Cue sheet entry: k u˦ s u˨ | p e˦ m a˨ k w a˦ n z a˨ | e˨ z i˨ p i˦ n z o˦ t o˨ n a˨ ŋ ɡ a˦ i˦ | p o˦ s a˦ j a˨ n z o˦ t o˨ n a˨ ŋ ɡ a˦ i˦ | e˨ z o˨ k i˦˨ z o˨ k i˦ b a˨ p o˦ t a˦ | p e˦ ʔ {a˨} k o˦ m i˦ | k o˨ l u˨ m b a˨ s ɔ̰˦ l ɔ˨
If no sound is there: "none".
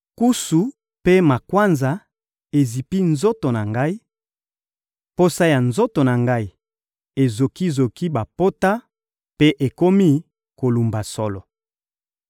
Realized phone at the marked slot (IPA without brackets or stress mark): e˨